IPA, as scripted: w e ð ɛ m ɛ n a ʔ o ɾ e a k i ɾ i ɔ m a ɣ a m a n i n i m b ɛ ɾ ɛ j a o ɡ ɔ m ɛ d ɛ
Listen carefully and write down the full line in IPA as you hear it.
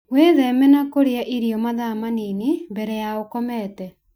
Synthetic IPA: w e ð ɛ m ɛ n a k o ɾ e a ʔ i ɾ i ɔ m a ð a m a n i n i m b ɛ ɾ ɛ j a o k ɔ m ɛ t ɛ